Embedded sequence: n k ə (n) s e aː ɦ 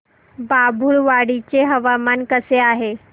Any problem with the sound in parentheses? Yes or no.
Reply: yes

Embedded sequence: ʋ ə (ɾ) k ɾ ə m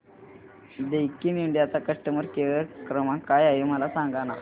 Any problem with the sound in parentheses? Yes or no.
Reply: no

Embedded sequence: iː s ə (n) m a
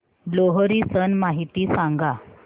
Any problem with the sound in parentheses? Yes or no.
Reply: no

